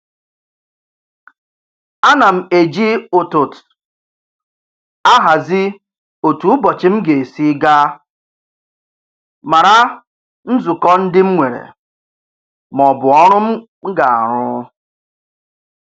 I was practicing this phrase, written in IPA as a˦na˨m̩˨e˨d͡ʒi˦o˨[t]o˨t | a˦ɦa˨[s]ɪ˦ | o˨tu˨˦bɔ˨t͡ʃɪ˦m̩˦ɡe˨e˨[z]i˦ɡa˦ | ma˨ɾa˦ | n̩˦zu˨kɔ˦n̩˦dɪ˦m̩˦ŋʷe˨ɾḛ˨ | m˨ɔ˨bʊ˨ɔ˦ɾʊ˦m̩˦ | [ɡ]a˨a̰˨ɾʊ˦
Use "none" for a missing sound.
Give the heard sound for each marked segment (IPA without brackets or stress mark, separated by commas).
t, z, s, ɡ